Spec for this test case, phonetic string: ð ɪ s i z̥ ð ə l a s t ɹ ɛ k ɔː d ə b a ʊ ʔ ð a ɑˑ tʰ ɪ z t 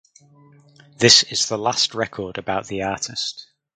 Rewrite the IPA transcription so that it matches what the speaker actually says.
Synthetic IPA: ð ɪ s ɪ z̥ ð ə l a s t ɹ ɛ kʰ ɔː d ə b a ʊ ʔ ð i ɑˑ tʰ ɪ s t